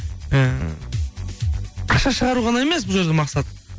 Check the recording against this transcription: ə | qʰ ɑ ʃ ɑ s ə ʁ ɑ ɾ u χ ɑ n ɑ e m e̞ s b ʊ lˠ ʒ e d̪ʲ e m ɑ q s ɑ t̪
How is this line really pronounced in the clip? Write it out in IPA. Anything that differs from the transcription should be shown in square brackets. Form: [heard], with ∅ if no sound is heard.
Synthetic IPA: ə | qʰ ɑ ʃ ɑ [ʃ] ə ʁ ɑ ɾ u [ʁ] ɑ n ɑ e m e̞ s b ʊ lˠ ʒ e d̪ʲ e m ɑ q s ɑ t̪